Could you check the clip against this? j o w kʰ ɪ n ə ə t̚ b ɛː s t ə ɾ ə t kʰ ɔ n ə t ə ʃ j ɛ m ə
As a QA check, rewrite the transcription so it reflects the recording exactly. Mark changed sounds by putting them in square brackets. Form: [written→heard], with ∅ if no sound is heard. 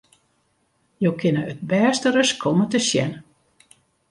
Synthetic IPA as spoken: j o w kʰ ɪ n ə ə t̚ b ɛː s t ə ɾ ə [t→s] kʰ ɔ [n→m] ə t ə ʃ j ɛ [m→n] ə